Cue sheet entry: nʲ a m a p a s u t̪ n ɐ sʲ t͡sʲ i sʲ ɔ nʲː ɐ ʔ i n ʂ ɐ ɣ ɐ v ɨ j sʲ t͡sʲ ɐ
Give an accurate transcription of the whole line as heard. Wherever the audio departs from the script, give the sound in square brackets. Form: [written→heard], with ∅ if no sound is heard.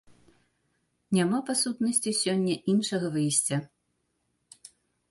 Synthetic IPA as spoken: nʲ a m a p a s u t̪ n ɐ sʲ t͡sʲ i sʲ ɔ nʲː ɐ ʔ i n ʂ ɐ ɣ ɐ v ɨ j sʲ t͡sʲ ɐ